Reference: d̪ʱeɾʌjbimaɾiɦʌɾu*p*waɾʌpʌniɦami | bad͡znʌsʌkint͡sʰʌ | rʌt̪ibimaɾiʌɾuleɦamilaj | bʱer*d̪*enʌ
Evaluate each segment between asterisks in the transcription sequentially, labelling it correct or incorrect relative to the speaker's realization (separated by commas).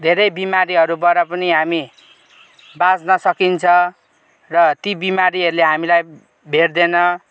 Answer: incorrect, correct